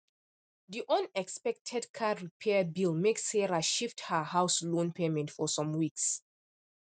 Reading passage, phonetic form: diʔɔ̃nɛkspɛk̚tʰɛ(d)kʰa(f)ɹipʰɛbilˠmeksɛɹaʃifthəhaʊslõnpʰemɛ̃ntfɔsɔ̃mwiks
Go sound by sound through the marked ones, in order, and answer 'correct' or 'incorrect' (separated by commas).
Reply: correct, incorrect